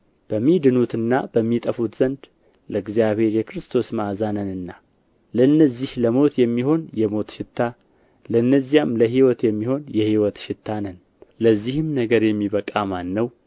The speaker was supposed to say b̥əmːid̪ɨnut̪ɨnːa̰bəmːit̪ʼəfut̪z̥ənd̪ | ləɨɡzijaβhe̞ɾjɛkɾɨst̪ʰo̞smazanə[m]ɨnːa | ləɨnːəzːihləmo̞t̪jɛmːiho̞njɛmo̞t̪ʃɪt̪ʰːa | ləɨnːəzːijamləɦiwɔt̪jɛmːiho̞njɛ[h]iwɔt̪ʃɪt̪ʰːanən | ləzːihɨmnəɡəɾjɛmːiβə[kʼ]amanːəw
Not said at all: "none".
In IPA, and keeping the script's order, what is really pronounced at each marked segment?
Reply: n, h, kʼ

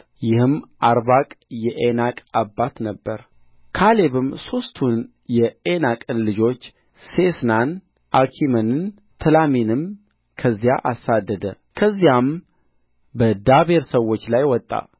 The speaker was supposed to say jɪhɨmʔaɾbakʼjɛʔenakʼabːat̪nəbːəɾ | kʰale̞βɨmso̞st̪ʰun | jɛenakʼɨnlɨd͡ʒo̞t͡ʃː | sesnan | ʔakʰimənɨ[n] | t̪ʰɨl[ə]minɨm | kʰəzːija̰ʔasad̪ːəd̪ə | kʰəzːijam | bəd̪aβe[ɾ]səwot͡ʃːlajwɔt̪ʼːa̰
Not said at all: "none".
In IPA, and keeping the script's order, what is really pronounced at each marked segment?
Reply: n, a, ɾ

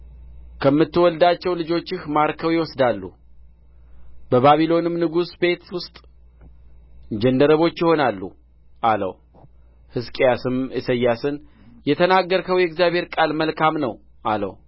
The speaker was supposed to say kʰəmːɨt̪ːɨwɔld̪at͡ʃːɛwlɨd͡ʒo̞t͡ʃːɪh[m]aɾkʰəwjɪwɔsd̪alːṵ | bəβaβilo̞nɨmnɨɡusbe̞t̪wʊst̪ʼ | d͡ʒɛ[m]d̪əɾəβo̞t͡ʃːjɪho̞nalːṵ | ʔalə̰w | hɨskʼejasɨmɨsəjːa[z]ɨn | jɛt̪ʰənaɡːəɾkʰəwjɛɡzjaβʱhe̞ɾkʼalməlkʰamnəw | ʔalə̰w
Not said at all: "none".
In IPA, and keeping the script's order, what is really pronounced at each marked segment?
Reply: m, n, s

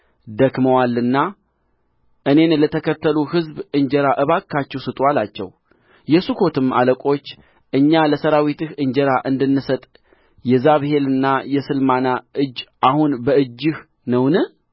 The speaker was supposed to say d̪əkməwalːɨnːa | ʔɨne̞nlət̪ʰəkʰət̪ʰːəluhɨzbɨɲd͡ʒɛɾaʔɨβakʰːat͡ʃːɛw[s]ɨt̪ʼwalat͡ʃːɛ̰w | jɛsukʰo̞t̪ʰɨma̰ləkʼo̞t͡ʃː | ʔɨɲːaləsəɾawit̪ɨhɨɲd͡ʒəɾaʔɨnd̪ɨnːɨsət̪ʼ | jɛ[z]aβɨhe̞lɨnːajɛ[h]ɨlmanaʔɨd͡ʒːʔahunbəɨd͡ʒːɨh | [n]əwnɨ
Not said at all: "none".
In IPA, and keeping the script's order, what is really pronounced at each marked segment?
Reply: s, z, s, n

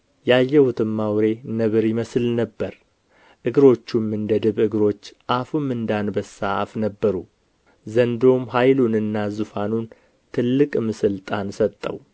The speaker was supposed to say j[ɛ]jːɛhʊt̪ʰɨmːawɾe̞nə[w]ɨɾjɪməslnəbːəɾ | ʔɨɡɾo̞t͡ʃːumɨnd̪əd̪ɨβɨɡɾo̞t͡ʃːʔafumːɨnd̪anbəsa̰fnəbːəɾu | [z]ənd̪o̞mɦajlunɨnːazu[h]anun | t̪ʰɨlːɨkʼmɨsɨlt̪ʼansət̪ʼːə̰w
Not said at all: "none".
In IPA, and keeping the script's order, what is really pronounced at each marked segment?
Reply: a, β, z, f

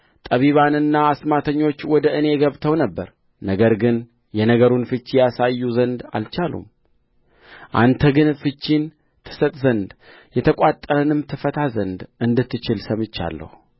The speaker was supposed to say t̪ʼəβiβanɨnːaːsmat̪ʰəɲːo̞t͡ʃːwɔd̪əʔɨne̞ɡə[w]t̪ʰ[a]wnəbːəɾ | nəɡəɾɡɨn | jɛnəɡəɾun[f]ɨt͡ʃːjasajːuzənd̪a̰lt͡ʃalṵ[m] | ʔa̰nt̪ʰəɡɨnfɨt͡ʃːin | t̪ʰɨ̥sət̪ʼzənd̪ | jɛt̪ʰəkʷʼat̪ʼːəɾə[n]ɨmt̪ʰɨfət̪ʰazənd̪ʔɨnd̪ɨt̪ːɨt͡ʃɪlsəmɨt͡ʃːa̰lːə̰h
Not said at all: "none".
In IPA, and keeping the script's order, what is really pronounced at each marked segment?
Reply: β, ə, f, m, n

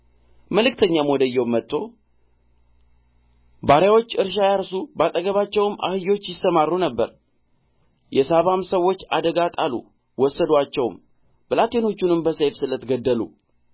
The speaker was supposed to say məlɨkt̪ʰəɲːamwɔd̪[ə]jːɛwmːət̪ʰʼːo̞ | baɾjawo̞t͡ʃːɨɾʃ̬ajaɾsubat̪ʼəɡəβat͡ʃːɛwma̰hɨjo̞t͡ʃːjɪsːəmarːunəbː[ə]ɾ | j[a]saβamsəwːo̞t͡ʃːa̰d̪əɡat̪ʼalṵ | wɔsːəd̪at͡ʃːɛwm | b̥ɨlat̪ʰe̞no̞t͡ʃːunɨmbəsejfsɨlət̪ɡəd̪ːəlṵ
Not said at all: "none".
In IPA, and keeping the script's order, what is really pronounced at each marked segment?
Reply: ə, ə, ɛ

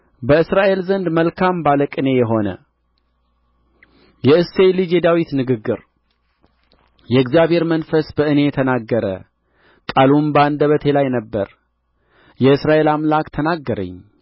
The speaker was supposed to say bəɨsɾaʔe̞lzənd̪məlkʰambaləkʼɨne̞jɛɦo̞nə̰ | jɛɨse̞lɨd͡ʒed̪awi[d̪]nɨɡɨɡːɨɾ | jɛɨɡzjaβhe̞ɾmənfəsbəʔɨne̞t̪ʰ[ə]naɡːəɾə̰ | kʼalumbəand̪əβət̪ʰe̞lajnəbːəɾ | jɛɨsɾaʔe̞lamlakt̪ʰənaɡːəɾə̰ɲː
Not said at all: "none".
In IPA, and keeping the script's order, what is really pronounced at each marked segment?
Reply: t̪, ə

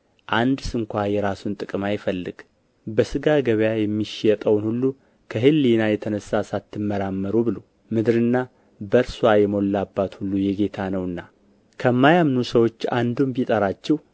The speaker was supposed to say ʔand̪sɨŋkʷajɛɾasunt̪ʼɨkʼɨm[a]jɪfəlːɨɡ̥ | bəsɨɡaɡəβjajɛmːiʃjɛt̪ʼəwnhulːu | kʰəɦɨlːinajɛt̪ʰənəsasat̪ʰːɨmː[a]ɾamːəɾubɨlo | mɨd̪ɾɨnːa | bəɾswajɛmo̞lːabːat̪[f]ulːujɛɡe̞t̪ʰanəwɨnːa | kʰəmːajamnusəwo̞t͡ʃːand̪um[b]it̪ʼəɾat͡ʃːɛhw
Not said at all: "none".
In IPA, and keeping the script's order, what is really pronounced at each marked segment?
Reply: a, ə, h, b

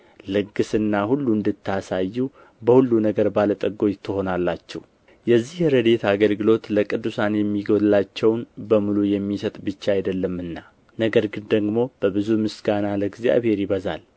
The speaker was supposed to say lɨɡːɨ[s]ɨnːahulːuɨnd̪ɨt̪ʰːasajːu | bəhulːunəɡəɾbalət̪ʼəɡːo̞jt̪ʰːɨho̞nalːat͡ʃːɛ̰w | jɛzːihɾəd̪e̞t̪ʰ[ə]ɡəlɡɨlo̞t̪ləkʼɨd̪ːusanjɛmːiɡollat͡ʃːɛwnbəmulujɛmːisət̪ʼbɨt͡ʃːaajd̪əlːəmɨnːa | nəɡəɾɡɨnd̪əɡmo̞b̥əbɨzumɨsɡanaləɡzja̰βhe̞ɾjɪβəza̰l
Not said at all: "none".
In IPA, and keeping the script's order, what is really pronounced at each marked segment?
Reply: s, a

